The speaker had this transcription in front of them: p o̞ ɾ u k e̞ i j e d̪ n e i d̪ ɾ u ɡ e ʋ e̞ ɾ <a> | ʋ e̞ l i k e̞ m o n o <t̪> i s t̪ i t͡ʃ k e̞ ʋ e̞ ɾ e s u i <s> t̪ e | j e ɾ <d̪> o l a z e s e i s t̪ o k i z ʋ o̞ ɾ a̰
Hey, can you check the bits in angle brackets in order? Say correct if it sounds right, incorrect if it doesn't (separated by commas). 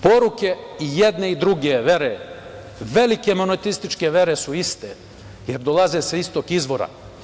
incorrect, correct, correct, correct